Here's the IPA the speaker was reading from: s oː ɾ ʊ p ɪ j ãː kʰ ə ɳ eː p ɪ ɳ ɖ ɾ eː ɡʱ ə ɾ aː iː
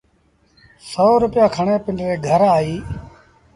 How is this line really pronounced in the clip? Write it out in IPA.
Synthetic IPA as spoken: s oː ɾ ʊ p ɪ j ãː kʰ ə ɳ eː p ɪ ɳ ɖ ɾ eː ɡʱ ə ɾ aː iː